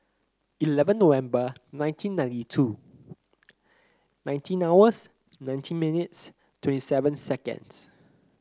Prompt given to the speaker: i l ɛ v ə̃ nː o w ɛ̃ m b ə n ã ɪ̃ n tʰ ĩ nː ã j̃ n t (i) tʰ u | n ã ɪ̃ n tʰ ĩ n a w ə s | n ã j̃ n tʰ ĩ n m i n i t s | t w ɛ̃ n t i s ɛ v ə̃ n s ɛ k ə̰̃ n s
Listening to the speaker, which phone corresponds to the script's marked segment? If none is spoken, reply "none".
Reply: i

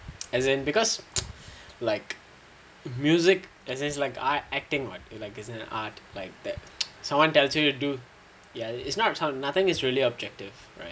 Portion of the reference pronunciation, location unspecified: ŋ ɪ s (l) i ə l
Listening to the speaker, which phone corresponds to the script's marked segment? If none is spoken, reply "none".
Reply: ɹ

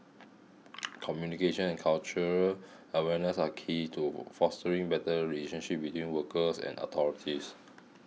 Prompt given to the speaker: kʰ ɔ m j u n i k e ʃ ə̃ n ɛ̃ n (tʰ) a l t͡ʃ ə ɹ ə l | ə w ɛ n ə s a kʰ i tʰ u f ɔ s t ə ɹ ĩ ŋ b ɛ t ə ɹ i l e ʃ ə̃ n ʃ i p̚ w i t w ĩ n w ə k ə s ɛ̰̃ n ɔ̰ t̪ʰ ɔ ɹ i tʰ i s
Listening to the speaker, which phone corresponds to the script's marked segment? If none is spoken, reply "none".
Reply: kʰ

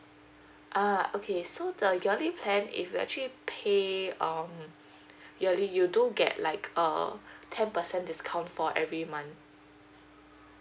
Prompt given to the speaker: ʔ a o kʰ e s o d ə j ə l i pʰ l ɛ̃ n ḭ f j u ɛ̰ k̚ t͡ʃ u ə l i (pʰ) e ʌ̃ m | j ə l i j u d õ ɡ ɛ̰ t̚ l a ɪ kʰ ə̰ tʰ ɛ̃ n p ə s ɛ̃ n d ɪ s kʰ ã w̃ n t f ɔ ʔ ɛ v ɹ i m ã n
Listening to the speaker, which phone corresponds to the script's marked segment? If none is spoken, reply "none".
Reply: pʰ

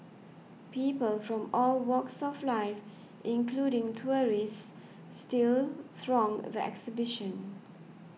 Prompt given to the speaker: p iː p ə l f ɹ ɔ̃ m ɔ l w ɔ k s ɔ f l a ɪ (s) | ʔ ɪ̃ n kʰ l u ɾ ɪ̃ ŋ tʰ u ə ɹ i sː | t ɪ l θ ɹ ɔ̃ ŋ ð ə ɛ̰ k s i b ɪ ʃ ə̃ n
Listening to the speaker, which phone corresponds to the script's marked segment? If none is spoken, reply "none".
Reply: f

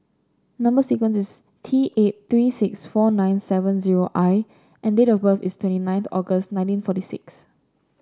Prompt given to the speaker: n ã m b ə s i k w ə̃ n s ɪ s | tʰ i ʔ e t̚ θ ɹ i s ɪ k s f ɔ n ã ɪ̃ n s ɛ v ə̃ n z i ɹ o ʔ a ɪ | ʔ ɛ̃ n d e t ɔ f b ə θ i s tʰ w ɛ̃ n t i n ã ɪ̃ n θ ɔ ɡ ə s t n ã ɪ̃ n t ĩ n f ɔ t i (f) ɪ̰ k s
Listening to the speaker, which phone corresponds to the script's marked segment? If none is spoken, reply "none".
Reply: s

